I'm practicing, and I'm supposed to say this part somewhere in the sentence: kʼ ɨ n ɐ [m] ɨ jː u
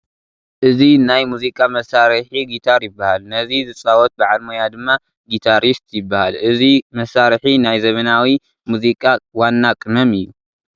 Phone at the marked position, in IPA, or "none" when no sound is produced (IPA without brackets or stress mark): m